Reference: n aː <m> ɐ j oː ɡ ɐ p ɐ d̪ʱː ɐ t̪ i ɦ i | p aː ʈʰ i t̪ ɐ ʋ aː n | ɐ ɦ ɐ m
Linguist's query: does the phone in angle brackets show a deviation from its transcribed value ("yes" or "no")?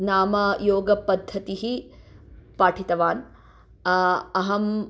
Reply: no